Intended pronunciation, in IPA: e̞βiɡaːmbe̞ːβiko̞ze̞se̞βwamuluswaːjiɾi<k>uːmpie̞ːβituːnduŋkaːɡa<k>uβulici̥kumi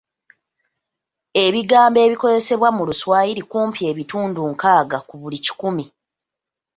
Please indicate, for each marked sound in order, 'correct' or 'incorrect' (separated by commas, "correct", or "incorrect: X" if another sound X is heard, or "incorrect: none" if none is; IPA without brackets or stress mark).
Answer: correct, correct